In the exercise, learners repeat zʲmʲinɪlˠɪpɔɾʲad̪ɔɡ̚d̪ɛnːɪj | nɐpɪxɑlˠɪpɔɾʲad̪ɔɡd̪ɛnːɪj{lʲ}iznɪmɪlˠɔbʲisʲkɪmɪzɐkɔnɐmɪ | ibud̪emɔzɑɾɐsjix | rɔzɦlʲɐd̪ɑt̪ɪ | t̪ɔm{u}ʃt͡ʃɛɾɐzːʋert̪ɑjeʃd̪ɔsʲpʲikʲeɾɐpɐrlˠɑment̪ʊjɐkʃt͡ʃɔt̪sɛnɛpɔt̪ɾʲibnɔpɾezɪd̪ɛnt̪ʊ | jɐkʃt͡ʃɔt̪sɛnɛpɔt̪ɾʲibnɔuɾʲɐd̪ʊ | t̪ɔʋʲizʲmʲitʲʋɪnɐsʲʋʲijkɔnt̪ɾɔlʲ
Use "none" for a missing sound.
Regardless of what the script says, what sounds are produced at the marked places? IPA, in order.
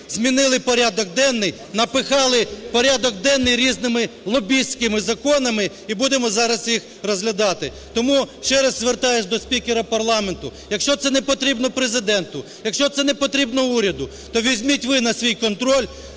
ɾʲ, u

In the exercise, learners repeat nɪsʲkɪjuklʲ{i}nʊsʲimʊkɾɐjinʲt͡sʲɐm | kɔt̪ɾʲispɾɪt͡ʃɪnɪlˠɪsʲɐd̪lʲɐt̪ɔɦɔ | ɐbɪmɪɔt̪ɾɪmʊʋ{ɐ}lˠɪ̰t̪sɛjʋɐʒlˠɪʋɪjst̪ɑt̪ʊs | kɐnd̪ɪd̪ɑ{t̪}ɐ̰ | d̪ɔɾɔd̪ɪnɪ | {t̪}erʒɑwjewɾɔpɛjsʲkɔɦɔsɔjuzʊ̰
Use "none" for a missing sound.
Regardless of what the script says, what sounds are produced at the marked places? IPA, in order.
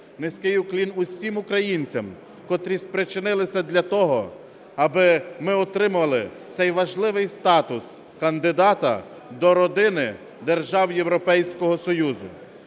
i, ɐ, t̪, d̪

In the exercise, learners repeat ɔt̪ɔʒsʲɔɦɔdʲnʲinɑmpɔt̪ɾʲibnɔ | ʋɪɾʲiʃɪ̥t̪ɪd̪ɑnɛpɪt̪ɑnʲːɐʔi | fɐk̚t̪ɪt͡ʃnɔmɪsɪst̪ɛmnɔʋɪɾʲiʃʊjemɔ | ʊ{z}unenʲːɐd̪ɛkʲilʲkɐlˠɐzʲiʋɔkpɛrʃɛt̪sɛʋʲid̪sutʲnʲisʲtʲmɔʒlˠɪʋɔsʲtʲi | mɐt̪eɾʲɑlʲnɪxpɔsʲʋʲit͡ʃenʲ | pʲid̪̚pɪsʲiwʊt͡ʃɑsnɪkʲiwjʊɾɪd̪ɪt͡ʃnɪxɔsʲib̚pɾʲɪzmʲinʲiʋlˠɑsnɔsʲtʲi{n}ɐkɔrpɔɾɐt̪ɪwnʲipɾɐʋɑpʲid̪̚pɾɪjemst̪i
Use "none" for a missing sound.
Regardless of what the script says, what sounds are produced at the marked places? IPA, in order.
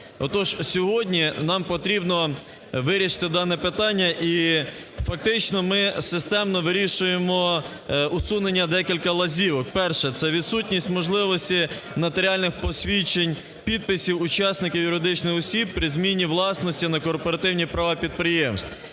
s, n

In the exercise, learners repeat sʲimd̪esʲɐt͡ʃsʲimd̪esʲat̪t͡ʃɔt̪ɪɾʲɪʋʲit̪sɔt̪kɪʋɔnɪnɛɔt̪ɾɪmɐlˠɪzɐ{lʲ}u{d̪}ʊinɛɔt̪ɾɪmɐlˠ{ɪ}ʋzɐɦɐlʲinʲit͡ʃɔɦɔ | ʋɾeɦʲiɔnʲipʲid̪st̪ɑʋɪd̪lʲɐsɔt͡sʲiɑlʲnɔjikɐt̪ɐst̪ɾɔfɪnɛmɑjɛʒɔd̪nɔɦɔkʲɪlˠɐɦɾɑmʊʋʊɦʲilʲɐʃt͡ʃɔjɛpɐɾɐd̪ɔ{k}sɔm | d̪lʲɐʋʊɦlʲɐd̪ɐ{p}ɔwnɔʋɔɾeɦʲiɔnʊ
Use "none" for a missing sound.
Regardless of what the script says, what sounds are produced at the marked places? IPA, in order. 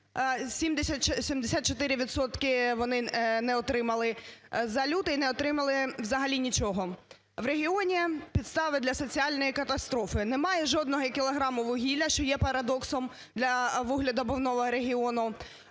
lʲ, t̪, ɪ, k, b

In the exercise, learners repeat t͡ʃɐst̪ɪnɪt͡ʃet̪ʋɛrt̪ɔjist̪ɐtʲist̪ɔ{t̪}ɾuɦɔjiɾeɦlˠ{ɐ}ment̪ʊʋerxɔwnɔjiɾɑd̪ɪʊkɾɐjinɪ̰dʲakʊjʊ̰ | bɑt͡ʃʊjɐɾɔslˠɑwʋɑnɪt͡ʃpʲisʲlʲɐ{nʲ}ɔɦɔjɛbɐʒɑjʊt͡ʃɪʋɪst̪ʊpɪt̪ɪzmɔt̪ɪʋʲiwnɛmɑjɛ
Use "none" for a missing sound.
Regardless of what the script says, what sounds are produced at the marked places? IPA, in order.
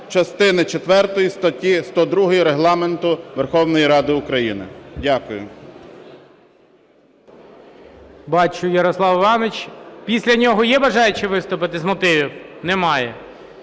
d̪, ɑ, nʲ

